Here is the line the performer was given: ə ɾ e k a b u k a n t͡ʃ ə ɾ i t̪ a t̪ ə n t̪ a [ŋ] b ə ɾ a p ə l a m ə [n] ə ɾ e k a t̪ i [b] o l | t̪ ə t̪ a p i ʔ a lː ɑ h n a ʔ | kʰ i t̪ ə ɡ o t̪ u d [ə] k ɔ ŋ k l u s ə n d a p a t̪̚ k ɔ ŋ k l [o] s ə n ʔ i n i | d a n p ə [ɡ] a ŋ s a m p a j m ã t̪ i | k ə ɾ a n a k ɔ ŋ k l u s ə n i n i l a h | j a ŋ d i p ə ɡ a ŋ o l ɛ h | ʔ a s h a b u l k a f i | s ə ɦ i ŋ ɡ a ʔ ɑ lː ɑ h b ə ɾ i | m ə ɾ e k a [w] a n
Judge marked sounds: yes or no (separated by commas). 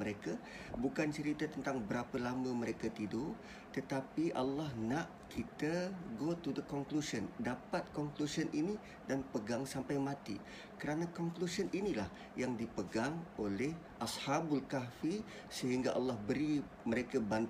yes, no, no, yes, no, yes, no